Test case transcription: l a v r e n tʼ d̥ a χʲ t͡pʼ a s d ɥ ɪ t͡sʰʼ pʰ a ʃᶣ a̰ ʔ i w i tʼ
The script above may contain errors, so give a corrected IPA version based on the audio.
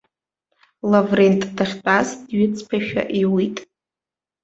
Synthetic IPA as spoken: l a v r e n tʼ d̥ a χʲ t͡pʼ a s d ɥ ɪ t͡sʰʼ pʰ a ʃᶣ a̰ ʔ i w i tʼ

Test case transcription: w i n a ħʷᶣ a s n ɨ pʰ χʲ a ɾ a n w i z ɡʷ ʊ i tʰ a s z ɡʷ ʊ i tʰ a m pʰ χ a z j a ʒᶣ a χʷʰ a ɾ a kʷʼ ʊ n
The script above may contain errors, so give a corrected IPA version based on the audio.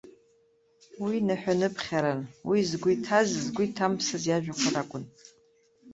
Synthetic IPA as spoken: w i n a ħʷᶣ a n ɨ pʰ χʲ a ɾ a n w i z ɡʷ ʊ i tʰ a z z ɡʷ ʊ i tʰ a m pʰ s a z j a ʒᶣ a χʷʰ a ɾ a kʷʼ ʊ n

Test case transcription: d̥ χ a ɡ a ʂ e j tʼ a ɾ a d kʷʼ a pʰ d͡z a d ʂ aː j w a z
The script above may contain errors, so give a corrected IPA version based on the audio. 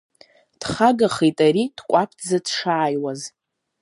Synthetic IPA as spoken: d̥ χ a ɡ a χ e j tʼ a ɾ i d kʷʼ a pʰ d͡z a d ʂ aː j w a z

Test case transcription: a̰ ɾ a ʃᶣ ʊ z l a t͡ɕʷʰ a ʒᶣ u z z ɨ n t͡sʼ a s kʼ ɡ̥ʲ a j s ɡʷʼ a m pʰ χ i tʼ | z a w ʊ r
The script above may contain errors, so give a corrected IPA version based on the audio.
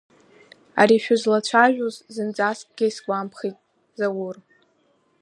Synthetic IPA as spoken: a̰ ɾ i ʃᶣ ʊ z l a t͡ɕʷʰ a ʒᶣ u z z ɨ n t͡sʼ a s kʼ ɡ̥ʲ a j s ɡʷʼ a m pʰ χ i tʼ | z a w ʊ r

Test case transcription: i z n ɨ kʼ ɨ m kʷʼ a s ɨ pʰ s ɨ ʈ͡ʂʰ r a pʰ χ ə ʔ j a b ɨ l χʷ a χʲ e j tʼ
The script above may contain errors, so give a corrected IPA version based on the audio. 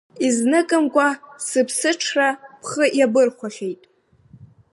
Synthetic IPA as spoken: i z n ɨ kʼ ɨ m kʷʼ a s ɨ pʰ s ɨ ʈ͡ʂʰ r a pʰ χ ə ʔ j a b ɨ r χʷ a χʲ e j tʼ

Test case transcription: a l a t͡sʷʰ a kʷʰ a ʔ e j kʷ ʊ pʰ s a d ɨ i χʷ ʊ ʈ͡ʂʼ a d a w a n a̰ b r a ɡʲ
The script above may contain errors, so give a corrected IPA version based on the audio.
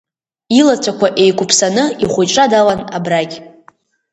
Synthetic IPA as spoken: i l a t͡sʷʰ a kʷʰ a ʔ e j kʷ ʊ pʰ s a n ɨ i χʷ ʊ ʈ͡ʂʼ a d a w a n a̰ b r a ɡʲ

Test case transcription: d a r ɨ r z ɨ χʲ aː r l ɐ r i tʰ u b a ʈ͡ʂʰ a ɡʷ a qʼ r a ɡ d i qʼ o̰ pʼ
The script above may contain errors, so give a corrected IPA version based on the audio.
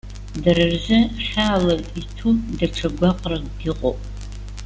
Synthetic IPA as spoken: d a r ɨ r z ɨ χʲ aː l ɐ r i tʰ u d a ʈ͡ʂʰ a ɡʷ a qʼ r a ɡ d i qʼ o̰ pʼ

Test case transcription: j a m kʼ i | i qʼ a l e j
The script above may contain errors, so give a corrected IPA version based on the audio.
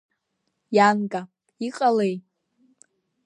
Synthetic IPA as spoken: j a n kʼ a | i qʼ a l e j

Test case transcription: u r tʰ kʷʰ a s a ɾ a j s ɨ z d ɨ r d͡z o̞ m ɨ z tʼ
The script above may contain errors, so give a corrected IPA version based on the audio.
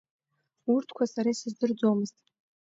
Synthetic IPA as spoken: u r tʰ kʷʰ a s a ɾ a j s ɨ z d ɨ r d͡z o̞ m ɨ z tʼ

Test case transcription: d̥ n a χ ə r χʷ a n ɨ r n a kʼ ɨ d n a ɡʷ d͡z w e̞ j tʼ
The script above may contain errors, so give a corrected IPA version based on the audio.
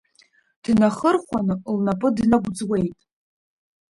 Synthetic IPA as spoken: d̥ n a χ ə r χʷ a n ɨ l n a pʼ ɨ d n a ɡʷ d͡z w e̞ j tʼ

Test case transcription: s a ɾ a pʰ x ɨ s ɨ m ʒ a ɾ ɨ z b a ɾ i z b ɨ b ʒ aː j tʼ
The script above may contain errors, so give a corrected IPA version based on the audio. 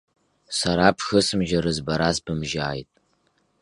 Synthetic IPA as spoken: s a ɾ a pʰ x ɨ s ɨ m ʒ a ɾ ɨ z b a ɾ a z b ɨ m ʒ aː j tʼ

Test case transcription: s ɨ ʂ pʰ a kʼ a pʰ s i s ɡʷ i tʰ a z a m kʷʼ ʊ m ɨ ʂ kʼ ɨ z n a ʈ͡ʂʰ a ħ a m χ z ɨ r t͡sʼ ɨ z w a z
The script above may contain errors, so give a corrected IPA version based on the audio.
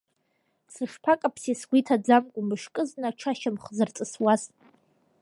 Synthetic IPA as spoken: s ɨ ʂ pʰ a kʼ a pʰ s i s ɡʷ i tʰ a d͡z a m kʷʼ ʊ m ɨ ʂ kʼ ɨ z n a ʈ͡ʂʰ a ʃ a m χ z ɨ r t͡sʼ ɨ s w a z

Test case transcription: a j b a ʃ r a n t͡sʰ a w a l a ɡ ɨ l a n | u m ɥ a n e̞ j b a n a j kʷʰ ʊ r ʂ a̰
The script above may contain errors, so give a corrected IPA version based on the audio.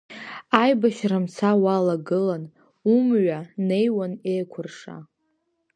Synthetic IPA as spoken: a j b a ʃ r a m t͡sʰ a w a l a ɡ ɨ l a n | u m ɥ a n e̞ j w a n e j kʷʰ ʊ r ʂ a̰

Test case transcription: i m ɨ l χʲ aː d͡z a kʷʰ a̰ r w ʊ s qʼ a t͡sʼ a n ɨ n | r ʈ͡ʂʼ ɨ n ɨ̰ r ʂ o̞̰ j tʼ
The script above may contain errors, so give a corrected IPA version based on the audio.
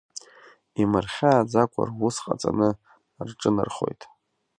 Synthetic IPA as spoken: i m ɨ r χʲ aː d͡z a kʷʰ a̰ r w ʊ s qʼ a t͡sʼ a n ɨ | r ʈ͡ʂʼ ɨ n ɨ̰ r χ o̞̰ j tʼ

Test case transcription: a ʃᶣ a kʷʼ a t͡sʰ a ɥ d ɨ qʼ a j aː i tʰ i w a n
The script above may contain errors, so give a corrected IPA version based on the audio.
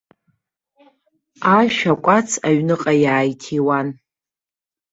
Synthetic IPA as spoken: a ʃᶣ a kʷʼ a t͡sʰ a ɥ n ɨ qʼ a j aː j tʰ i w a n

